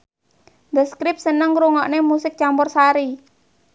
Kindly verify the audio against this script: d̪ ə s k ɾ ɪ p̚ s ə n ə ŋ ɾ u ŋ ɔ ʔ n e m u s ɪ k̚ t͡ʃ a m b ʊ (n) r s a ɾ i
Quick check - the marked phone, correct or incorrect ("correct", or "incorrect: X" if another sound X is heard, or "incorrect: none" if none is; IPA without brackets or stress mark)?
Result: incorrect: none